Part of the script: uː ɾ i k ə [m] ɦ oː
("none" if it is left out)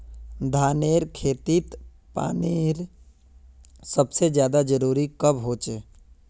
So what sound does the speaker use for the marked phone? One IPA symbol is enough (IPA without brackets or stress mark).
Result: b